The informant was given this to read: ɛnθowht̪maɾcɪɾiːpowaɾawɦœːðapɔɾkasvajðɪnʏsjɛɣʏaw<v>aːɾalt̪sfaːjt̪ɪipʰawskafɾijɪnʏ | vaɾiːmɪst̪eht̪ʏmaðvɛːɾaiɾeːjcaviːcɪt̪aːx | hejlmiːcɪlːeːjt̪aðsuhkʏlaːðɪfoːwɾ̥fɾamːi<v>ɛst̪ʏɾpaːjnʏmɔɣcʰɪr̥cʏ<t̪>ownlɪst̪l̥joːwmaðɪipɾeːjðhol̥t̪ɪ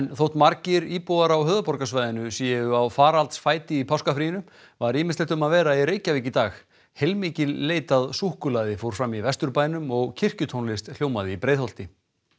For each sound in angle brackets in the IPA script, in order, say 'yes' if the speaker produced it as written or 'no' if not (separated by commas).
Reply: no, yes, no